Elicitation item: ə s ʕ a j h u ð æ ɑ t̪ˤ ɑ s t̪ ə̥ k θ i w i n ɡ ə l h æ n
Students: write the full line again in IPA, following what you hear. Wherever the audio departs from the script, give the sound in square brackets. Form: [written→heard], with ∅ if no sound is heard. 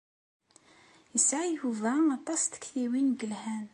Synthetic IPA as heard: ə s ʕ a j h u [ð→v] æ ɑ t̪ˤ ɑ s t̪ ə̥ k θ i w i n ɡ ə l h æ n